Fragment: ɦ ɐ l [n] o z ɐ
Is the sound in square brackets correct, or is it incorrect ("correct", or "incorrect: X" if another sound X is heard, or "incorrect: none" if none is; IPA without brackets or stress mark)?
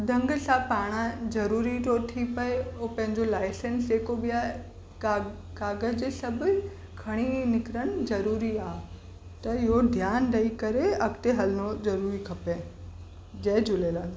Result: correct